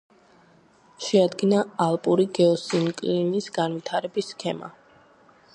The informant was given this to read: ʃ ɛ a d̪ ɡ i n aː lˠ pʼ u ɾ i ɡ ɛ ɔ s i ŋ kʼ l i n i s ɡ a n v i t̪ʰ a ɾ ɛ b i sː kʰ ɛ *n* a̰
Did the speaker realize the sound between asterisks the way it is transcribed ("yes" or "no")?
no